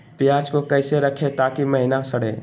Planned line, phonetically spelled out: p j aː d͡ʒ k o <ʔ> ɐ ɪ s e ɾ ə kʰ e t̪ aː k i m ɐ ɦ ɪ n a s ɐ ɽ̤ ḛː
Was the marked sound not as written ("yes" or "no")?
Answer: yes